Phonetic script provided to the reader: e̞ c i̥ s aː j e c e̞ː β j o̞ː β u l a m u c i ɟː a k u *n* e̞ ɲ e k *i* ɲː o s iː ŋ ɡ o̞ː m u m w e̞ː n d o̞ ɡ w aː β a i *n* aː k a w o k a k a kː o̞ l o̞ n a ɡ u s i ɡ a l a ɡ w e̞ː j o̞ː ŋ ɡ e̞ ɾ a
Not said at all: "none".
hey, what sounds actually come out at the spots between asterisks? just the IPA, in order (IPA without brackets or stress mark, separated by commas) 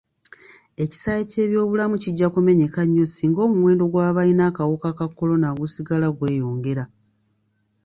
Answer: m, a, n